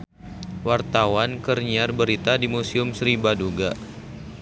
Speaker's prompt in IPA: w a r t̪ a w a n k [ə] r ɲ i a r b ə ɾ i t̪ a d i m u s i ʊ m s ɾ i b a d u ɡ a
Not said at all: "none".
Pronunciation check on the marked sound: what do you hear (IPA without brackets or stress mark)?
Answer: ə